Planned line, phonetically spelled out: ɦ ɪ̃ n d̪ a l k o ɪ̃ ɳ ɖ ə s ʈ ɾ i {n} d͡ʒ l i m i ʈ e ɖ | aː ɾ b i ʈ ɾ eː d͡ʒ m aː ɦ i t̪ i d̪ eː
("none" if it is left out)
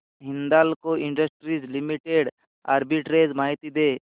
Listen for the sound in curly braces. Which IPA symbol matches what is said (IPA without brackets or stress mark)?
none